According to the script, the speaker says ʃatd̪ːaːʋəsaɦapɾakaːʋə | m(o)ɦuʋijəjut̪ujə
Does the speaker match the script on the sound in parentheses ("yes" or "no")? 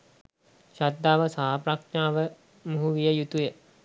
no